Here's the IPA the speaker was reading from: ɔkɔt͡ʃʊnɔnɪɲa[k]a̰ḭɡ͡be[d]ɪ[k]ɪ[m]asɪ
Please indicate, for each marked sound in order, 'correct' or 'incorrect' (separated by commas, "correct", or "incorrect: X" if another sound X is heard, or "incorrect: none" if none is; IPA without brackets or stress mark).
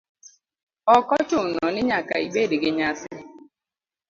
correct, correct, incorrect: ɡ, incorrect: ɲ